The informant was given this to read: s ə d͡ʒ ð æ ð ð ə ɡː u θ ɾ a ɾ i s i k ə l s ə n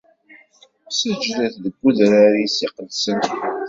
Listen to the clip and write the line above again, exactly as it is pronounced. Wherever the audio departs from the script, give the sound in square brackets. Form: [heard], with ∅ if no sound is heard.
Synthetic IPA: s ə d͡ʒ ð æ [θ] ð ə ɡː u [ð] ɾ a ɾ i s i [q] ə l s ə n

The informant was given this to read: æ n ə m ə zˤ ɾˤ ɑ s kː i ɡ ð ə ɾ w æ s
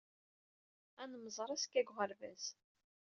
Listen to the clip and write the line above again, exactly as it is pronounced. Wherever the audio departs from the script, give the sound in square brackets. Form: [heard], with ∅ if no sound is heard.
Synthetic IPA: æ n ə m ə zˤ ɾˤ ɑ s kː [æ] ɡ [ʁ] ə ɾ [v] æ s

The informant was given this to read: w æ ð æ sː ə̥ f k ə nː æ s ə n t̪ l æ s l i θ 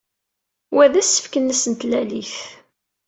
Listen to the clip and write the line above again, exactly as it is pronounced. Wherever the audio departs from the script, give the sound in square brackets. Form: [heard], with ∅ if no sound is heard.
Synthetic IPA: w æ ð æ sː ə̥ f k ə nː æ s ə n t̪ l æ [∅] l i θ

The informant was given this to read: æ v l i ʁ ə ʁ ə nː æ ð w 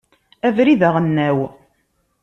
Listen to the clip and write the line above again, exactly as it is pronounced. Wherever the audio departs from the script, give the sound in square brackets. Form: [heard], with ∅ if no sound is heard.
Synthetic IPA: æ v [ɾ] i [ð] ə ʁ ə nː æ [∅] w

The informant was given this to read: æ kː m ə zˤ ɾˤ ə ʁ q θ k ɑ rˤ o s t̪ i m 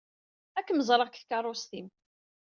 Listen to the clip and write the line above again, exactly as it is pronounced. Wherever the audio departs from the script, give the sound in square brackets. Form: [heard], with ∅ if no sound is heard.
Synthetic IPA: æ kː m ə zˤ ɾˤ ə ʁ [k] θ k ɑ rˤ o s t̪ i m

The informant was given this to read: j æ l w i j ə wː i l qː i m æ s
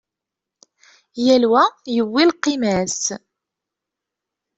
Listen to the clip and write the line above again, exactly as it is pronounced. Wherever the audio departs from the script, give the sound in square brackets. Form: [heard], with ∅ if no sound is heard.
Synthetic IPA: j æ l w [æ] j ə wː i l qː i m æ s

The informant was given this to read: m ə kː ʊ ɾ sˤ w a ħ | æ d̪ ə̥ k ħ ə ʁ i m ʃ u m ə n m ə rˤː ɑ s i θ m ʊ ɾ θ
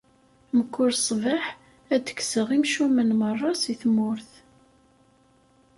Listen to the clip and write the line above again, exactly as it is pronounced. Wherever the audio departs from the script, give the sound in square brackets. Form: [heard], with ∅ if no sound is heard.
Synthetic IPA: m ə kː ʊ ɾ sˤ [v] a ħ | æ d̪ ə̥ k [s] ə ʁ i m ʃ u m ə n m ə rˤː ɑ s i θ m ʊ ɾ θ

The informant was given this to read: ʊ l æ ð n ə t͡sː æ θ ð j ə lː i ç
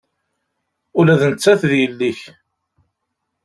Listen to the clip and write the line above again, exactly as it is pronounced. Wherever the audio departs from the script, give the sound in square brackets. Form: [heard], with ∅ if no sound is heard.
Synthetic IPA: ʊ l æ ð n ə t͡sː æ θ ð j ə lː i ç

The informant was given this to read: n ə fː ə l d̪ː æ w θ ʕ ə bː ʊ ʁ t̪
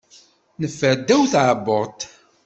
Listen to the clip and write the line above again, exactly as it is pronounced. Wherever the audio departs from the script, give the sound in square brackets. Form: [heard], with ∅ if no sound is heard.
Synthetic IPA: n ə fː ə [ɾ] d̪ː æ w θ ʕ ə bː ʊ ʁ t̪

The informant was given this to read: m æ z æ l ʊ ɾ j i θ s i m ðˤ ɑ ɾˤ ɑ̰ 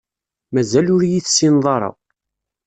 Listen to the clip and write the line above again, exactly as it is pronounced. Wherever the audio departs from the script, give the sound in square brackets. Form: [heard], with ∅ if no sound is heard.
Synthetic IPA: m æ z æ l ʊ ɾ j i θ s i [n] ðˤ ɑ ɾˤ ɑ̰

